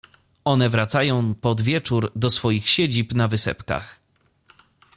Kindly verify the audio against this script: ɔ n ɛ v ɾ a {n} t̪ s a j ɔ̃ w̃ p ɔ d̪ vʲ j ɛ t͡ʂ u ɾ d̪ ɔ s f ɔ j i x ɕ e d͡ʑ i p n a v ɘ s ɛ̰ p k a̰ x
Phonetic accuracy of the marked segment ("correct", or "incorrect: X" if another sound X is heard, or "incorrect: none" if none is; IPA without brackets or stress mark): incorrect: none